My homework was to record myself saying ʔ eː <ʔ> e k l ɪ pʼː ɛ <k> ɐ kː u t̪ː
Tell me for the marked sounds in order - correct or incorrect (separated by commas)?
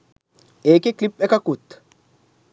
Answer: incorrect, correct